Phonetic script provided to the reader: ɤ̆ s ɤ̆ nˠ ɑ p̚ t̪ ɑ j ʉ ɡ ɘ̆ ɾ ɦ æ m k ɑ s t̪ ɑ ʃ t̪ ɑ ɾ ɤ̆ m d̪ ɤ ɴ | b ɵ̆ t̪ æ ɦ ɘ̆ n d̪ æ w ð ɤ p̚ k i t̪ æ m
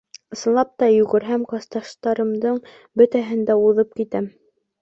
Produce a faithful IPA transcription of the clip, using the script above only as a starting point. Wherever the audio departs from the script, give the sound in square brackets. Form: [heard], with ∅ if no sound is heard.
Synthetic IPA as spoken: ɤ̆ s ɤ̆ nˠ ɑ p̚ t̪ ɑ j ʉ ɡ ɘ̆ ɾ ɦ æ m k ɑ s t̪ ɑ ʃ t̪ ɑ ɾ ɤ̆ m d̪ ɤ ɴ | b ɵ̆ t̪ æ ɦ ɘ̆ n d̪ æ [u] ð ɤ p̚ k i t̪ æ m